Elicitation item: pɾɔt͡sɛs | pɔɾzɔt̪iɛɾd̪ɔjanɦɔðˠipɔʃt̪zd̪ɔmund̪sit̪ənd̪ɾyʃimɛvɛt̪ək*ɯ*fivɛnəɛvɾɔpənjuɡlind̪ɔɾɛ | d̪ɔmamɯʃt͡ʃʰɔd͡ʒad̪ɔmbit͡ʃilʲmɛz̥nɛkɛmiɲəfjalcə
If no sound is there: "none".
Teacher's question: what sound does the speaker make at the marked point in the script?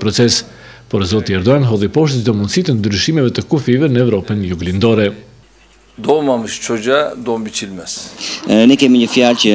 u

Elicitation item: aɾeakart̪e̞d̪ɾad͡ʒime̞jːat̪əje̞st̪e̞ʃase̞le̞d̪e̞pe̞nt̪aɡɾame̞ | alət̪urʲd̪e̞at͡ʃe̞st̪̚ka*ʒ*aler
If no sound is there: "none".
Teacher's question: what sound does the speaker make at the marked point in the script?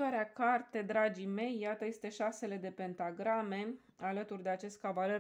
v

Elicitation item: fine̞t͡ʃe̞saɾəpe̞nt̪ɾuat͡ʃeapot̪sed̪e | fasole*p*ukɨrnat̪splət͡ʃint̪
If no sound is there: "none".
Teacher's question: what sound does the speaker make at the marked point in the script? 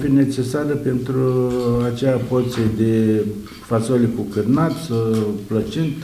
k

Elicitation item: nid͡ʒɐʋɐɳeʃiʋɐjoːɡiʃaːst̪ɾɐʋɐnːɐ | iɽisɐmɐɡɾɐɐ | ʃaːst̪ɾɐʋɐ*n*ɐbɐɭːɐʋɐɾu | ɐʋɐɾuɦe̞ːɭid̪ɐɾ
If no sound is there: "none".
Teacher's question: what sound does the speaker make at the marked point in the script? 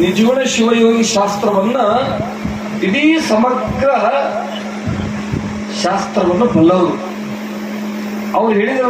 nː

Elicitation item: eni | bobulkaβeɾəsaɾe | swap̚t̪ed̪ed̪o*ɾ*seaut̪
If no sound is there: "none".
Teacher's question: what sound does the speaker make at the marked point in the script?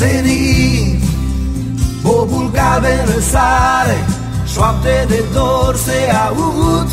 ɾ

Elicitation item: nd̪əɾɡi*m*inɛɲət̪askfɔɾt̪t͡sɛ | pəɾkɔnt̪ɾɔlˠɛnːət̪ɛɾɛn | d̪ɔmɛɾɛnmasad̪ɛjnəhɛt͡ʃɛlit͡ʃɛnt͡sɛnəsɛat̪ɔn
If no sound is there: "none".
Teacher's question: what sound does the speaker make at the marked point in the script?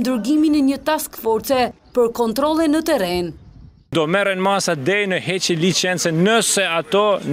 m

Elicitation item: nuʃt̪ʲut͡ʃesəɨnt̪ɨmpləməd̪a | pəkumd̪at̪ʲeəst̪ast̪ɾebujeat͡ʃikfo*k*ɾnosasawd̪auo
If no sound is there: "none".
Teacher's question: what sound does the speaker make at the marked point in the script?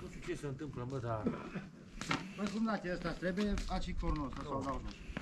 none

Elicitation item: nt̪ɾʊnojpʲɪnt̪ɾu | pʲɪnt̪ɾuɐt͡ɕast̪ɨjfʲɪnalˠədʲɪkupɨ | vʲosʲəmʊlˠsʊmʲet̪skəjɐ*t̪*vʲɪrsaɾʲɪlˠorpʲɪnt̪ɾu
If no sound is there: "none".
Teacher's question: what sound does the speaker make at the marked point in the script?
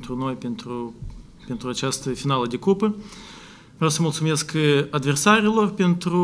d̪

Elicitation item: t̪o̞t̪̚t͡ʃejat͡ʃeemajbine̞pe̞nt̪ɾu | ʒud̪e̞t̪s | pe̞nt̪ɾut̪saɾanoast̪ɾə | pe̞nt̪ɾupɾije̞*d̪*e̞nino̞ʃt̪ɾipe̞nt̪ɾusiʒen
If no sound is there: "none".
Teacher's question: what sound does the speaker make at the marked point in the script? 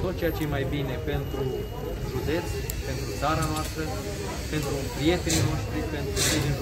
t̪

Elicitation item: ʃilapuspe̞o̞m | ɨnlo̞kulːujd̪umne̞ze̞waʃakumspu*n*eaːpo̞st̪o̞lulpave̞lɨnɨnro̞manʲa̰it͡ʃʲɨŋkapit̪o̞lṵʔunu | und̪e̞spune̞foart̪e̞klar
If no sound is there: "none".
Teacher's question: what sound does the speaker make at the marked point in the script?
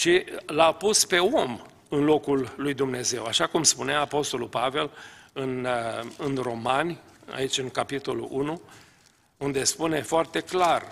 n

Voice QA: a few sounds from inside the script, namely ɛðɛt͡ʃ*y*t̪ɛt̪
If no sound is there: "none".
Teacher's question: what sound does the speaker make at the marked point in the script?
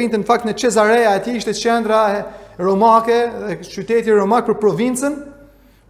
y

